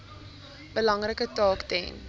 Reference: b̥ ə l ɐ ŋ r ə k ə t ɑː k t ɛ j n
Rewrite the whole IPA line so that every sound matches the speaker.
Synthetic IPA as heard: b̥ ə l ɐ ŋ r ə k ə t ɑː k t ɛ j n

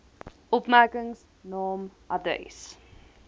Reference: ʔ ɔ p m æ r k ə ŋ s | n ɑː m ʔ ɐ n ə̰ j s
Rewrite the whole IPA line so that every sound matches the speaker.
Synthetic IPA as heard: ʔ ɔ p m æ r k ə ŋ s | n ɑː m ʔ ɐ d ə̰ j s

